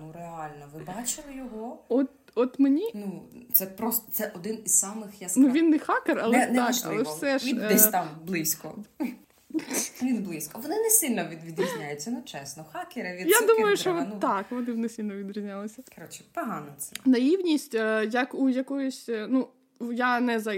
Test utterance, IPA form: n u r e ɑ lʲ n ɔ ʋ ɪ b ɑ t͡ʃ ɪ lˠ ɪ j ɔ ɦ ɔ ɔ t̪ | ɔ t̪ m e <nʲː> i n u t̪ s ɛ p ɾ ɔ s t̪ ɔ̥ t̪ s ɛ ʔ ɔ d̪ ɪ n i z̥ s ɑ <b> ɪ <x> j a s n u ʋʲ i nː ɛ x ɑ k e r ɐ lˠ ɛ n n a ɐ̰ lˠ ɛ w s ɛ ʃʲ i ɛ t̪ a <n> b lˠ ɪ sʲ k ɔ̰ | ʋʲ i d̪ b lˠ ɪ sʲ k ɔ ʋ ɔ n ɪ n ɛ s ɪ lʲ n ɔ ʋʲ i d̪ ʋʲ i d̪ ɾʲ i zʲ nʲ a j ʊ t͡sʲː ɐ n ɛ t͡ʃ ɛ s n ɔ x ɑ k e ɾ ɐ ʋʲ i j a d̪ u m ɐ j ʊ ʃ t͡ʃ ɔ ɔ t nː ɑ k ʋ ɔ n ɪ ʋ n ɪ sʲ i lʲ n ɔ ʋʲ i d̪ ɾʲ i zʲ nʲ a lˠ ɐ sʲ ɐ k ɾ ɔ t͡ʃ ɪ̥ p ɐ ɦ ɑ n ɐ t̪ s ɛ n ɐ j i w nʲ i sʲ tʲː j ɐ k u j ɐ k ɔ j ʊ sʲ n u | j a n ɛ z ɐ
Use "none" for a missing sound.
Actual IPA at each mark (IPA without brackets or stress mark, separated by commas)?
nʲ, m, x, m